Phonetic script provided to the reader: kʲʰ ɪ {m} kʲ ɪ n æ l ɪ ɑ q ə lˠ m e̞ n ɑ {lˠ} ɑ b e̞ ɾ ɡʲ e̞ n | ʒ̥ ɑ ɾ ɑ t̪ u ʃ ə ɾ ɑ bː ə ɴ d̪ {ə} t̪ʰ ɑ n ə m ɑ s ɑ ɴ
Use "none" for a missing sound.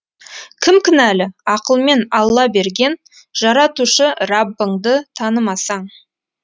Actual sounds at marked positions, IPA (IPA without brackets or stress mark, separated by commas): m, lˠː, ə